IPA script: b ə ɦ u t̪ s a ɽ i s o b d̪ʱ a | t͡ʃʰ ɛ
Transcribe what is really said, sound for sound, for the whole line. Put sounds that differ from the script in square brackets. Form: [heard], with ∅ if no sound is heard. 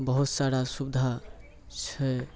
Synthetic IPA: b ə ɦ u t̪ s a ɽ [a] s [u] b d̪ʱ a | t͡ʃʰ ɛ